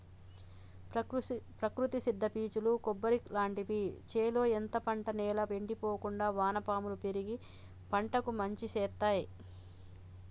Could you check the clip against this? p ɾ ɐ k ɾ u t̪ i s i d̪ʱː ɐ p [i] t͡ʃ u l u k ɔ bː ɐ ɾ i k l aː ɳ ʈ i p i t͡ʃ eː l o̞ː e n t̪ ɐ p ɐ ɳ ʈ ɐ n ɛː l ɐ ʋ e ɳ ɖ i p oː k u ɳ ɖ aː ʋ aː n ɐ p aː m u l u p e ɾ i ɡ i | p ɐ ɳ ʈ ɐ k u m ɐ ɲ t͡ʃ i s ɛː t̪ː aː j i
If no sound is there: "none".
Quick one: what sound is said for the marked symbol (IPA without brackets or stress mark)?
iː